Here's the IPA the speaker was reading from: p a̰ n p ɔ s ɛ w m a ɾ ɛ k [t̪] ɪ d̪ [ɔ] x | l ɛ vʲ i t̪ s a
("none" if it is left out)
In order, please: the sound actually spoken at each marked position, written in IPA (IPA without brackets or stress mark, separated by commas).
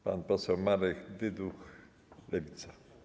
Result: d̪, u